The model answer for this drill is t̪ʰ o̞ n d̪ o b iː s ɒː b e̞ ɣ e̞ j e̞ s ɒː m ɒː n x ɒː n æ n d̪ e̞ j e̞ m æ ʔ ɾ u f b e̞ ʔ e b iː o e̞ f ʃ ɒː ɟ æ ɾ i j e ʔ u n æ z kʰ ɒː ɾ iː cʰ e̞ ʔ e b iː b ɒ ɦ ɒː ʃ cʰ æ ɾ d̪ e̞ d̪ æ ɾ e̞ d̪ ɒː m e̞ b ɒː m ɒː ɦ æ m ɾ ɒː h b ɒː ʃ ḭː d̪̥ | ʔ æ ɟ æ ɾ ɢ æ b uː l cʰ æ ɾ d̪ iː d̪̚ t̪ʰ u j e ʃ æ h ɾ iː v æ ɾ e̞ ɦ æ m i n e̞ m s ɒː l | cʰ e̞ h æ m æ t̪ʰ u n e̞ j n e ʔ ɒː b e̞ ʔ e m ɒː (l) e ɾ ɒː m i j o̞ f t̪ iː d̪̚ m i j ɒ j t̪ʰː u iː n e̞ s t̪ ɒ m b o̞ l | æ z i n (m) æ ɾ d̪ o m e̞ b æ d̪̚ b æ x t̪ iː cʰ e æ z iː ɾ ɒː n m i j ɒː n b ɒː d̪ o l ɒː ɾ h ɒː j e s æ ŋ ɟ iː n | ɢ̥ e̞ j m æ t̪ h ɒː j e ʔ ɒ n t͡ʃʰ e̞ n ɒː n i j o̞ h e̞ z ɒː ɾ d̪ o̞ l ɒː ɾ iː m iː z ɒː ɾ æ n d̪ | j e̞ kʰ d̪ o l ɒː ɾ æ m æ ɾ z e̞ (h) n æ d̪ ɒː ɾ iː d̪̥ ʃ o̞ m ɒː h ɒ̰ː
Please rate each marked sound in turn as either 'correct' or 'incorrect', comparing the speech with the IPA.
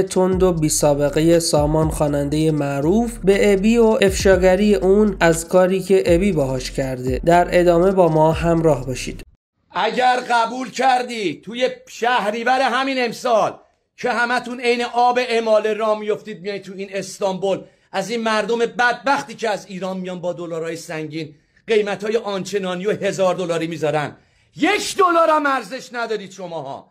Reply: correct, correct, incorrect: ʃ

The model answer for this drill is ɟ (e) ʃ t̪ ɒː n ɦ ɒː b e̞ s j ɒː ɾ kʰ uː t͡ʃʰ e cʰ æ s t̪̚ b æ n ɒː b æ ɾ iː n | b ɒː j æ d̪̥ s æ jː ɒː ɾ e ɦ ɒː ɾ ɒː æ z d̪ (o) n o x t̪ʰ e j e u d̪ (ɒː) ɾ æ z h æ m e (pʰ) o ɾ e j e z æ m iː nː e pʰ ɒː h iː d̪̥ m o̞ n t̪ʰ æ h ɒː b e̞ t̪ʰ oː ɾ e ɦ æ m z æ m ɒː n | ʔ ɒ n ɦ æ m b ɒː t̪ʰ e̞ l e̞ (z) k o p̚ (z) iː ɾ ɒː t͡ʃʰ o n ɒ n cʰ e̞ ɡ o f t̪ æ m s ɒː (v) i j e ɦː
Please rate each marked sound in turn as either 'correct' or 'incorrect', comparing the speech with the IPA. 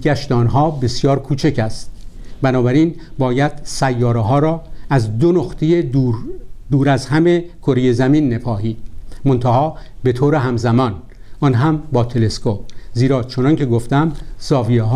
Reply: incorrect: æ, correct, incorrect: uː, incorrect: kʰ, incorrect: s, correct, correct

